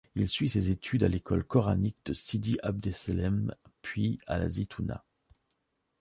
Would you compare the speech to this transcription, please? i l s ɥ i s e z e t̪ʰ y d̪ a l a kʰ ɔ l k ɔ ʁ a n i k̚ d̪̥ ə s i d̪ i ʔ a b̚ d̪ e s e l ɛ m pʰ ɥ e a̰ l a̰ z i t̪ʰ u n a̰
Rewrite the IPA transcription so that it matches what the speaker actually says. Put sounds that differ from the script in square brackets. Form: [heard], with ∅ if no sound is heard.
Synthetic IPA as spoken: i l s ɥ i s e z e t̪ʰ y d̪ a l [e] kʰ ɔ l k ɔ ʁ a n i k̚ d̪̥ ə s i d̪ i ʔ a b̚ d̪ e s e l ɛ m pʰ ɥ [i] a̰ l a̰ z i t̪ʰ u n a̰

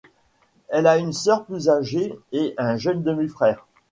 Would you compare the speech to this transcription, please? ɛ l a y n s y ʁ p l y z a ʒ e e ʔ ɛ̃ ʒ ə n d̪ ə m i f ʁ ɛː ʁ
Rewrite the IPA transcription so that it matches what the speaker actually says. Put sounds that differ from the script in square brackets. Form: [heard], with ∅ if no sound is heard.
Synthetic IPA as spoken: ɛ l a y n s [œ] ʁ p l y z a ʒ e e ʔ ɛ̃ ʒ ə n d̪ ə m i f [χ] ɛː ʁ

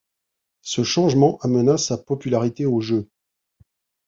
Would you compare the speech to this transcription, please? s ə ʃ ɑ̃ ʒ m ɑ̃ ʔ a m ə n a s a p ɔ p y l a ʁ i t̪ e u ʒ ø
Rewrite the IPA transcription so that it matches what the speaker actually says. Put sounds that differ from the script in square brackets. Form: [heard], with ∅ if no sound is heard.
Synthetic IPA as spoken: s ə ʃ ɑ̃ ʒ m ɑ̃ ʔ a m ə n a s a p ɔ p y l a ʁ i t̪ e [o] ʒ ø

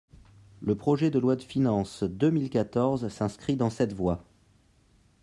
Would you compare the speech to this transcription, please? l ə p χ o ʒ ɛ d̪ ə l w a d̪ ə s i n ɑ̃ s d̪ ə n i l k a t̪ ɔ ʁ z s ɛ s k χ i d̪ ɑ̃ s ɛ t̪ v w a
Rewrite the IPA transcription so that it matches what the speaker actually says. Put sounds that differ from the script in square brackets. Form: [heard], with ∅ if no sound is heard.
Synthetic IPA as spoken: l ə p χ [ɔ] ʒ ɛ d̪ ə l w a d̪ ə [f] i n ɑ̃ s d̪ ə [m] i l k a t̪ ɔ ʁ z s [ɛ̃] s k χ i d̪ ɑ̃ s ɛ t̪ v w a

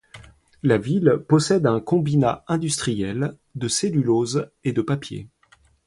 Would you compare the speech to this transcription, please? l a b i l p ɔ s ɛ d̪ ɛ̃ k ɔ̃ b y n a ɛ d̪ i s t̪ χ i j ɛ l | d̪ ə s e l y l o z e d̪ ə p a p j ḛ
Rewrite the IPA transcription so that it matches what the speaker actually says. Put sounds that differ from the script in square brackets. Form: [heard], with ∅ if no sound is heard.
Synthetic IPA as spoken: l a [v] i l p ɔ s ɛ d̪ ɛ̃ k ɔ̃ b [i] n a [ɛ̃] d̪ [y] s t̪ χ i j ɛ l | d̪ ə s e l y l o z e d̪ ə p a p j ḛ

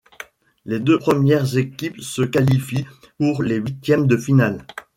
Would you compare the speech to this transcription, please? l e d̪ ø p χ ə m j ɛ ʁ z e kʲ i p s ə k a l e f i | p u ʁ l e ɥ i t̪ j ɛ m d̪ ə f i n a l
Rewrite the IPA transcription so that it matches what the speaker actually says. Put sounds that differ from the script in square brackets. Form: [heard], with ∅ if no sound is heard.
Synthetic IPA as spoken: l e d̪ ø p χ ə m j ɛ ʁ z e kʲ i p s ə k a l [i] f i | p u ʁ l e ɥ i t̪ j ɛ m d̪ ə f i n a l

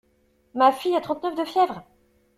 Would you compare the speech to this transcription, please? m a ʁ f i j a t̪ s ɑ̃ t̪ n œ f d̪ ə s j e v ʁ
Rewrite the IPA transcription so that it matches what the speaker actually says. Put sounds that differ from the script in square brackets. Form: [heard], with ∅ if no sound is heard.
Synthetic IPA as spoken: m a [∅] f i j a t̪ [χ] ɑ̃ t̪ n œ f d̪ ə [f] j [ɛ] v ʁ

